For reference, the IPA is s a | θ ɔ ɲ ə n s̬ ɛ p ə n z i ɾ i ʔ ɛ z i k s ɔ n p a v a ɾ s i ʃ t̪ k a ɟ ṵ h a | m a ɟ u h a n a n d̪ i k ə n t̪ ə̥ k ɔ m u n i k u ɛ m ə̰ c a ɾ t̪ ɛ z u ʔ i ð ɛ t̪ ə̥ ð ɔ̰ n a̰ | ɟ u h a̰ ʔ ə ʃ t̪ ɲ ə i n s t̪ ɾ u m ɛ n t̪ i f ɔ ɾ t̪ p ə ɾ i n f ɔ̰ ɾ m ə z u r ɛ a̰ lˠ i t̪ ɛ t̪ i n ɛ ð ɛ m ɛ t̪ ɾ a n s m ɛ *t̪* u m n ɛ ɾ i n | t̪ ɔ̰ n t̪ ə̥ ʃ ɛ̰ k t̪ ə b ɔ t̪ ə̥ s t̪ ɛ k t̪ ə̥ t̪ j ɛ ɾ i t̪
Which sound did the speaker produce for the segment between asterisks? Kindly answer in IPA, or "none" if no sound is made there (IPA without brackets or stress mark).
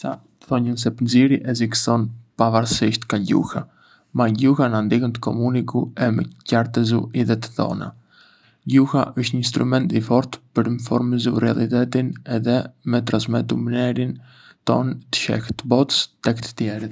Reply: t̪